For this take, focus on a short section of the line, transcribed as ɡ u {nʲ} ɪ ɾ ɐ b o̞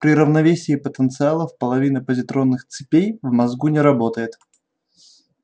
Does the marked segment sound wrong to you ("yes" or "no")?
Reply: no